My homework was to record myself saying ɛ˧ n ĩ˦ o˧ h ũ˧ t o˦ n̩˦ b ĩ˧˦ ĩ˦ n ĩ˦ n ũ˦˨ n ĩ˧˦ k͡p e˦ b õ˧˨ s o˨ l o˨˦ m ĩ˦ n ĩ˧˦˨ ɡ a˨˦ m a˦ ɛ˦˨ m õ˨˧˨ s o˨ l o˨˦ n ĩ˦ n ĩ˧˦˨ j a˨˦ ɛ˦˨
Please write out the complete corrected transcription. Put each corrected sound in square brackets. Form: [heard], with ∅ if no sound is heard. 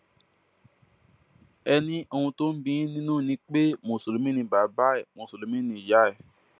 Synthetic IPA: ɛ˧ n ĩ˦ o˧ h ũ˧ t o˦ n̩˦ b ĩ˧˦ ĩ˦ n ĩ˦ n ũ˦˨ n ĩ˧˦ k͡p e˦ [m] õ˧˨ s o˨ l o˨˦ m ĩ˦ n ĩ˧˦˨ [b] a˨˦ [b] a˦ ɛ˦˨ m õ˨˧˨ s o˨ l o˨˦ [m] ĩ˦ n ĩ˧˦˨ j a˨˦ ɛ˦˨